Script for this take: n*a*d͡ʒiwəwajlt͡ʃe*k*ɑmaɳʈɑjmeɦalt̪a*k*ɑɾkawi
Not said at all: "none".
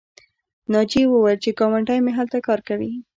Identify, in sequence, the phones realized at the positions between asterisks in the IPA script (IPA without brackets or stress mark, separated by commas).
ɑ, k, k